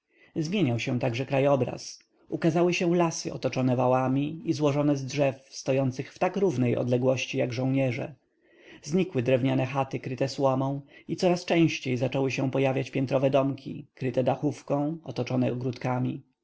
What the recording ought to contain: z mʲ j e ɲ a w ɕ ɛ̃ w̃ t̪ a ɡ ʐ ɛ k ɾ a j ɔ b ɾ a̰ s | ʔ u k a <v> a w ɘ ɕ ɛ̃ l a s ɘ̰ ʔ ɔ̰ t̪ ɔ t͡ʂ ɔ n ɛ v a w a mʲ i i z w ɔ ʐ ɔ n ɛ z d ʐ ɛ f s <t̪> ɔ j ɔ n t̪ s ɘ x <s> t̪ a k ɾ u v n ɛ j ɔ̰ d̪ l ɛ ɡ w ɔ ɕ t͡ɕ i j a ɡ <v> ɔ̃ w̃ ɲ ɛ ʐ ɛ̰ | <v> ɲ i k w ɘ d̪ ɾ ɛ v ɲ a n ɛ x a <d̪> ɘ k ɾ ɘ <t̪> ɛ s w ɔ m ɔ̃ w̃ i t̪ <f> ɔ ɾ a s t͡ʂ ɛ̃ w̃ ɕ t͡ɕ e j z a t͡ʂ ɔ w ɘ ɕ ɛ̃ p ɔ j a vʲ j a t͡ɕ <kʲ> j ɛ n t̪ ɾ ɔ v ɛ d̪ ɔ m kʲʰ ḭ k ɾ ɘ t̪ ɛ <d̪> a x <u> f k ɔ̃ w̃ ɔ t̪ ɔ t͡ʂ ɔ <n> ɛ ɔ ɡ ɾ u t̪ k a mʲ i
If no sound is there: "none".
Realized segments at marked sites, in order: z, t̪, f, ʐ, z, t̪, t̪, s, pʲ, d̪, u, n

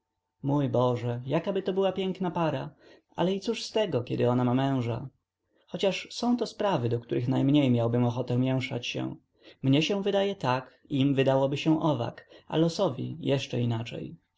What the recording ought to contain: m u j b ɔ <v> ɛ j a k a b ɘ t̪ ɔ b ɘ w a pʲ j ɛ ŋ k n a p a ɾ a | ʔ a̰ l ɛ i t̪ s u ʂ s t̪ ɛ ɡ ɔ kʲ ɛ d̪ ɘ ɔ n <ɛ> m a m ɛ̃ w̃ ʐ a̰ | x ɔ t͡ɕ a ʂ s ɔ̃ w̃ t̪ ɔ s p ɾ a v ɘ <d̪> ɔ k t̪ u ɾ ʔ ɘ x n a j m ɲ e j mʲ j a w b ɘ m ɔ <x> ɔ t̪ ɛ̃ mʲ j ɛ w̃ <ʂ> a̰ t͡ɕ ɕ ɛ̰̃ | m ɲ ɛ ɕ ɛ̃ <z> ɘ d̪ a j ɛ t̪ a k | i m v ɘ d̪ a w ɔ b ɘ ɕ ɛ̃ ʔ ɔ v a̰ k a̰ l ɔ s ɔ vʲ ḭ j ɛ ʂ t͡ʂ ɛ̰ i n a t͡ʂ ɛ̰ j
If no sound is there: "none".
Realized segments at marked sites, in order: ʐ, a, d̪, x, ʂ, v

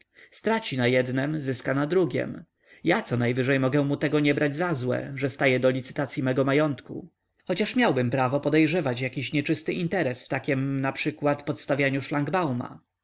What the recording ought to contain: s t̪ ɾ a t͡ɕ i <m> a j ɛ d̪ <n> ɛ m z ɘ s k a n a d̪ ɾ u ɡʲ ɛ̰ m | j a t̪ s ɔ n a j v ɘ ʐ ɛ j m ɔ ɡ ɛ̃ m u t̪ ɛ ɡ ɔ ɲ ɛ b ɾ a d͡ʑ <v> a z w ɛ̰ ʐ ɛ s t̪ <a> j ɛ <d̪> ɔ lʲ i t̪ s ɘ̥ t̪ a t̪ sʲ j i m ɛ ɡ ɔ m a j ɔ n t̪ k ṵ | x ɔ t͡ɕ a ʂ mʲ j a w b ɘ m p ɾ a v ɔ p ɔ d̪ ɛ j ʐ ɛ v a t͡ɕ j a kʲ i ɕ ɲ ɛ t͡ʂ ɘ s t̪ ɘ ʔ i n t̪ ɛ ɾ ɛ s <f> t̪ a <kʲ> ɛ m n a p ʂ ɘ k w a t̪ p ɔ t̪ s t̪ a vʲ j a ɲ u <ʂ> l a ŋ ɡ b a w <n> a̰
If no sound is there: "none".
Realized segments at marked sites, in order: n, n, z, a, d̪, f, kʲ, ʂ, m

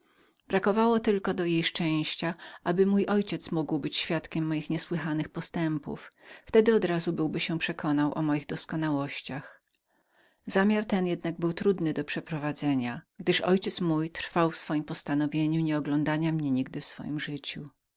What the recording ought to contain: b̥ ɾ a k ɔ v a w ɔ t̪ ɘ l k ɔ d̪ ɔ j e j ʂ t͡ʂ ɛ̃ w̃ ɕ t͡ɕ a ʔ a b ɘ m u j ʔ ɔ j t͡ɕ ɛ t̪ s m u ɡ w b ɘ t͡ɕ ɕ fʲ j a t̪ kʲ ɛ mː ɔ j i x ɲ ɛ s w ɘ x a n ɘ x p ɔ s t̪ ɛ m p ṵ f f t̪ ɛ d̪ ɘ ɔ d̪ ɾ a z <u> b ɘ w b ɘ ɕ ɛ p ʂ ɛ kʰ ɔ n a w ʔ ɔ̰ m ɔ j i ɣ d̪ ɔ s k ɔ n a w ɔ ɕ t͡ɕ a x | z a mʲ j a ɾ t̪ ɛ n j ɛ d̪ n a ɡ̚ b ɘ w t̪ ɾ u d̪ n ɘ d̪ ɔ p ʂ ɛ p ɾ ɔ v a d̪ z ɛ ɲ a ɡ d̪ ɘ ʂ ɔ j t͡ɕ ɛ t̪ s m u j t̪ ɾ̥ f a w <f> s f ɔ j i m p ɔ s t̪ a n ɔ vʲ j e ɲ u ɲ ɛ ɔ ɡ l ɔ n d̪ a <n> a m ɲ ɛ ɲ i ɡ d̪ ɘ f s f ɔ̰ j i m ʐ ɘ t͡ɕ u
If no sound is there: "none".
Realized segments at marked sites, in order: u, f, ɲ

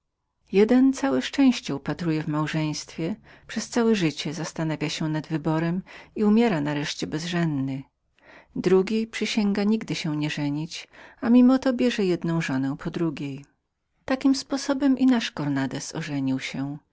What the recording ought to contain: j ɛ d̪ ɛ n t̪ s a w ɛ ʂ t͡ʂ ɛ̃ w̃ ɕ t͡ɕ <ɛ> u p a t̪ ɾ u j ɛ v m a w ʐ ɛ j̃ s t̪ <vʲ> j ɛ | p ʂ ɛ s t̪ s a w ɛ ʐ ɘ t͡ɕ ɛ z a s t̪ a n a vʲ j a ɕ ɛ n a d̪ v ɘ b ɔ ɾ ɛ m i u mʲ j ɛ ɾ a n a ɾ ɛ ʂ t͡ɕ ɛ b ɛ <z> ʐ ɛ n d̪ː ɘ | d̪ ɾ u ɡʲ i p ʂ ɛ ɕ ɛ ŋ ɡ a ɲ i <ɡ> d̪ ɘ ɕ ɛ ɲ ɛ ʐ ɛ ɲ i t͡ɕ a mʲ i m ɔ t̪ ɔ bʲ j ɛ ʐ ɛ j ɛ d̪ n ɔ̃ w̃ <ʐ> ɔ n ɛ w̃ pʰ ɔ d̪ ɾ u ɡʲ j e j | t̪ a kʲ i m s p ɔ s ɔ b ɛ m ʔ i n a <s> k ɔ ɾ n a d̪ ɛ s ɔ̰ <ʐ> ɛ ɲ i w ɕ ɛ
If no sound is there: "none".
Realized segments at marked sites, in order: ɛ, fʲ, z, ɡ, ʐ, ʂ, ʐ

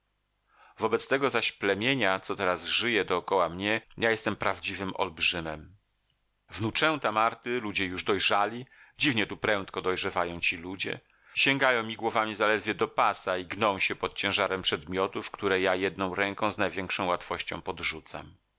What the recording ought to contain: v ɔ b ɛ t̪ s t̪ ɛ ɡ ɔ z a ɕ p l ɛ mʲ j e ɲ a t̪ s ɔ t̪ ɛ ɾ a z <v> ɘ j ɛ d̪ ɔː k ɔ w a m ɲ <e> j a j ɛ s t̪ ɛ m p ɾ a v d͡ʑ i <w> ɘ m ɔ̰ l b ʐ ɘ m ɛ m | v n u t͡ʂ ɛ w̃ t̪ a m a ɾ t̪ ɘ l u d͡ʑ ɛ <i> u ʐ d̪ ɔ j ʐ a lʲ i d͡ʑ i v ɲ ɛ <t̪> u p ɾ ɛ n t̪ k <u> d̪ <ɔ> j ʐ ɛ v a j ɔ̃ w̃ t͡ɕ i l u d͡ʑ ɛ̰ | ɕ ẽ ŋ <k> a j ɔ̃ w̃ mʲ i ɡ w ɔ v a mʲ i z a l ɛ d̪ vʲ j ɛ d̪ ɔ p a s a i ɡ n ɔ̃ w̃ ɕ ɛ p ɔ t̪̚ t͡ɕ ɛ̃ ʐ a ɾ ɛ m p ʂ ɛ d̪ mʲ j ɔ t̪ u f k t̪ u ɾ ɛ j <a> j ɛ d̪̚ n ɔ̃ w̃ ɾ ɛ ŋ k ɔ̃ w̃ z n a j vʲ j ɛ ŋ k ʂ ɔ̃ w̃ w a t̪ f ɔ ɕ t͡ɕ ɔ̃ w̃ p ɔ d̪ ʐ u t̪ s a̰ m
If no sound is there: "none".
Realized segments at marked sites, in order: ʐ, ɛ, v, j, t̪, ɔ, ɔ, ɡ, a

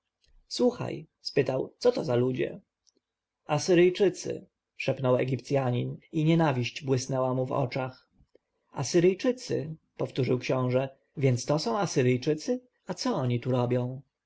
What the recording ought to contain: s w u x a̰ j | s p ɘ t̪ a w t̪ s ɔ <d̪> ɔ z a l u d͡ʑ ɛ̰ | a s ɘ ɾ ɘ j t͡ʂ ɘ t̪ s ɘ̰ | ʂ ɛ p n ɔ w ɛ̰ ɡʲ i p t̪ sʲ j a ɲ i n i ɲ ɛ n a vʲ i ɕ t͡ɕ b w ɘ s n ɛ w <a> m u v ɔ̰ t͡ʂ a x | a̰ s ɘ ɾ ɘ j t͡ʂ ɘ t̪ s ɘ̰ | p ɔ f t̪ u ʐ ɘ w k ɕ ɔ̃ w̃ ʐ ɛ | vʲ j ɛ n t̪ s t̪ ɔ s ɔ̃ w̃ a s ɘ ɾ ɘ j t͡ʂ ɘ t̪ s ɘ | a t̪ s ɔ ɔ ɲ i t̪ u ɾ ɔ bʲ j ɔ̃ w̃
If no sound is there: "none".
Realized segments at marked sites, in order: t̪, a

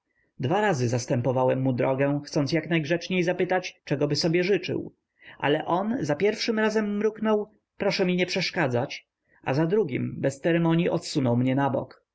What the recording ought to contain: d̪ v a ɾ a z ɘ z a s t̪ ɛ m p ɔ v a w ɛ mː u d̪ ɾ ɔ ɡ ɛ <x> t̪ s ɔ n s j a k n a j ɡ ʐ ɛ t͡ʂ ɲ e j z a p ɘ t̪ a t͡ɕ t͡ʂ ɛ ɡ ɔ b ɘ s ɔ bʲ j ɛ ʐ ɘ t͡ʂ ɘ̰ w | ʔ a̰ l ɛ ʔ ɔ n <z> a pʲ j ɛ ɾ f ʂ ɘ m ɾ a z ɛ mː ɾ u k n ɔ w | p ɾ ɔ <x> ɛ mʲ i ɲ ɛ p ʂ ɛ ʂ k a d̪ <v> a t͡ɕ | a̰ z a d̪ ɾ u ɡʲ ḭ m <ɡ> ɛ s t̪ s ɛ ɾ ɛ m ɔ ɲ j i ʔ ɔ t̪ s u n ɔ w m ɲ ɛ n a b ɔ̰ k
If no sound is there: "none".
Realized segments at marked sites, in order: x, z, ʂ, z, b

